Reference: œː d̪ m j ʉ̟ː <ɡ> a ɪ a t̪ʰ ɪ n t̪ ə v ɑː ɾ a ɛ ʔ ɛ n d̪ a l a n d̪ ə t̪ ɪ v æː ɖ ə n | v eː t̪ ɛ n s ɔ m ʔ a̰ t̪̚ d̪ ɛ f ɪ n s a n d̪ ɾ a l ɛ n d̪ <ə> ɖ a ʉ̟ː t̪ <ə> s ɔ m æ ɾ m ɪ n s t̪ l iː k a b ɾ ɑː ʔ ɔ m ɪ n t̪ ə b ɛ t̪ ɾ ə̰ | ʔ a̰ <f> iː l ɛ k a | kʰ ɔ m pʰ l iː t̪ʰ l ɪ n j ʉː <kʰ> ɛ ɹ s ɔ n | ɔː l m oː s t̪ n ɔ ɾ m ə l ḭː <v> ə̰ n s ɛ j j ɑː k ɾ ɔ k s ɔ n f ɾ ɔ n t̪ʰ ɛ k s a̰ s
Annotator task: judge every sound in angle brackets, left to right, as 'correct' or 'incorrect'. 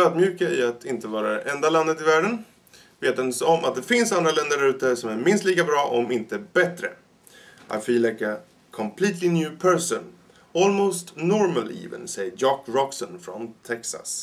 incorrect: k, correct, correct, correct, incorrect: pʰ, correct

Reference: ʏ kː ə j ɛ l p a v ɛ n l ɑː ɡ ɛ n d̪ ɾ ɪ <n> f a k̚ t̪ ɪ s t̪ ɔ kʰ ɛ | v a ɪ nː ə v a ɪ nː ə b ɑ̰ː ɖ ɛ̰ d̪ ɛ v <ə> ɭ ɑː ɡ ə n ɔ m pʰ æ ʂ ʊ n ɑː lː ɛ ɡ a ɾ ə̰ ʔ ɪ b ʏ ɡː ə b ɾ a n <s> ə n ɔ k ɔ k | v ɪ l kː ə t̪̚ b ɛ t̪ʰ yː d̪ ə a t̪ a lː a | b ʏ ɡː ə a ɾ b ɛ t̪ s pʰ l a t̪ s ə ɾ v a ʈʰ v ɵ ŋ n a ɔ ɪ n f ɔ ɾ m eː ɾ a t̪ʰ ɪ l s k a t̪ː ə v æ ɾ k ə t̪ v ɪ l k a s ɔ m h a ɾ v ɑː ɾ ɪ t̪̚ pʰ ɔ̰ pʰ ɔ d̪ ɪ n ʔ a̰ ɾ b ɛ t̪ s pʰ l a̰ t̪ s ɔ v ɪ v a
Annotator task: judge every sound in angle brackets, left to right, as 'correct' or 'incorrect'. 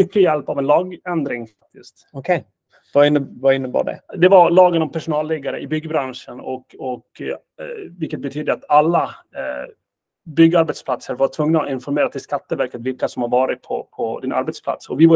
incorrect: ŋ, incorrect: a, incorrect: ʂ

